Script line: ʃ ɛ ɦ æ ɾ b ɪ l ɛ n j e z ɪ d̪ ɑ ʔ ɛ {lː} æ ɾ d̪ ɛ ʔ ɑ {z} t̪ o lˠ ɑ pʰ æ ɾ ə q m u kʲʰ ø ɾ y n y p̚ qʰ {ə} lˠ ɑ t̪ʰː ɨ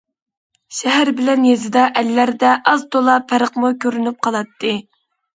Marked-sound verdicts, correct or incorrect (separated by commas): correct, correct, incorrect